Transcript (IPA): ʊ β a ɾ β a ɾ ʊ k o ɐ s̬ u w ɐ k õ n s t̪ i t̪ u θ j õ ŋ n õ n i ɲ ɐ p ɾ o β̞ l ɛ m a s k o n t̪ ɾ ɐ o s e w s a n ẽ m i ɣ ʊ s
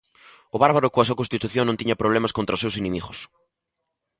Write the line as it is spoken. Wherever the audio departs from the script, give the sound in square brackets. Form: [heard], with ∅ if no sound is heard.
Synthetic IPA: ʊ β a ɾ β a ɾ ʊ k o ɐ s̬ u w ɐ k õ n s t̪ i t̪ u θ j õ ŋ n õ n i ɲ ɐ p ɾ o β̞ l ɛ m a s k o n t̪ ɾ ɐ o s e w s [e] n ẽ m i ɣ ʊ s